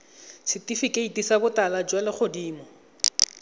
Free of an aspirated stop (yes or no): yes